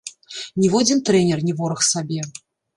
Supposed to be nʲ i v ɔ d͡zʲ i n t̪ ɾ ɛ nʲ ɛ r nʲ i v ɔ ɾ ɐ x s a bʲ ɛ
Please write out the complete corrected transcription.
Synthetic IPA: nʲ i v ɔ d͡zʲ i n t̪ ɾ ɛ nʲ ɛ r nʲ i v ɔ ɾ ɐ x s a bʲ ɛ